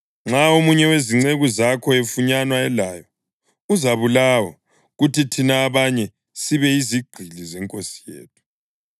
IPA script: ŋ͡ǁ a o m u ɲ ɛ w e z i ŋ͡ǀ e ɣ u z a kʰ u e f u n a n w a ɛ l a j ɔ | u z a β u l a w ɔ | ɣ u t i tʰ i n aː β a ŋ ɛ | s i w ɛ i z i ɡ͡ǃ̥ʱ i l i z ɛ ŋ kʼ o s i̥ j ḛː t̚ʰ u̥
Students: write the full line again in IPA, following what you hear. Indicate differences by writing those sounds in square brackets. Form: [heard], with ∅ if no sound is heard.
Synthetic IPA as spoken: ŋ͡ǁ a o m u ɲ ɛ w e z i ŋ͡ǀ e ɣ u z a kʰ [ɔ] e f u [ɲ] a n w a ɛ l a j ɔ | u z a β u l a w ɔ | ɣ u t i tʰ i n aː β a [ɲ] ɛ | s i [β] ɛ i z i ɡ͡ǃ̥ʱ i l i z ɛ ŋ kʼ o s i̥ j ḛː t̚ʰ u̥